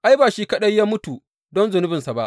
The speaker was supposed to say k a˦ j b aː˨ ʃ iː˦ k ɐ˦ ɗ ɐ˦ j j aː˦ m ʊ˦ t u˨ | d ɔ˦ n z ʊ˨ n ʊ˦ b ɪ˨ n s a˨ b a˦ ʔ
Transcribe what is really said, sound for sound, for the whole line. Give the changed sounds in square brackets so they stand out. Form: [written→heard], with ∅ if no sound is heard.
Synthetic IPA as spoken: [k→ʔ] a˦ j b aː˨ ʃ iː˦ k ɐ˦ ɗ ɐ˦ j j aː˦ m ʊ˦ t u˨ | d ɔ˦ n z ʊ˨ n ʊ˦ b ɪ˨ n s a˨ b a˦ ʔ